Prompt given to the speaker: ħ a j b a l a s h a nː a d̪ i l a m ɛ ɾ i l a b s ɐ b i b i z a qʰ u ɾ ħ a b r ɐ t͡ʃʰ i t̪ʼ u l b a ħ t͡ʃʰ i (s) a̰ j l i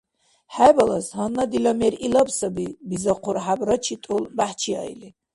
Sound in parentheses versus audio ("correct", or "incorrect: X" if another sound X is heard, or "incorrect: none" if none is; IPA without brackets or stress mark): incorrect: none